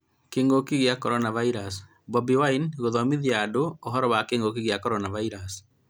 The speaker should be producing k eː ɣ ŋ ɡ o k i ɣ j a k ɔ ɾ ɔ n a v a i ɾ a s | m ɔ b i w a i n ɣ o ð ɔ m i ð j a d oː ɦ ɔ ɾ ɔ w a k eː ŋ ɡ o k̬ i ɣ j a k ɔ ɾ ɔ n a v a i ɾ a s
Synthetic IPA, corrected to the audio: k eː ŋ ɡ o k i ɣ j a k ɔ ɾ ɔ n a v a i ɾ a s | b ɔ b i w a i n ɣ o ð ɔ m i ð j a d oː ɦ ɔ ɾ ɔ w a k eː ŋ ɡ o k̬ i ɣ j a k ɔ ɾ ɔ n a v a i ɾ a s